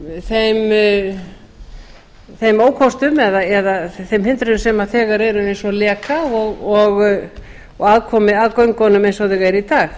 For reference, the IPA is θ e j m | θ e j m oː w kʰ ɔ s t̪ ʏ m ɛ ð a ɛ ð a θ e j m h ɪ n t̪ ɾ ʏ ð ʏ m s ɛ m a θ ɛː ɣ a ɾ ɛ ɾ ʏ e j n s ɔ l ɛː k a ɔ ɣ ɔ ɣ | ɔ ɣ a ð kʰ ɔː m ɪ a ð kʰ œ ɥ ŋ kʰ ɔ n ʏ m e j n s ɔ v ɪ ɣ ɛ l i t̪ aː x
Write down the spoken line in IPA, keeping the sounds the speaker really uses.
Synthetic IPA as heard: θ e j m | θ e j m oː w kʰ ɔ s t̪ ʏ m ɛ ð a ɛ ð a θ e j m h ɪ n t̪ ɾ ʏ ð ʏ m s ɛ m a θ ɛː ɣ a ɾ ɛ ɾ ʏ e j n s ɔ l ɛː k a ɔ ɣ ɔ ɣ | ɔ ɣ a ð kʰ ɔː m ɪ a ð k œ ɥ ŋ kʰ ɔ n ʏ m e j n s ɔ ð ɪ ɣ ɛ ɾ i t̪ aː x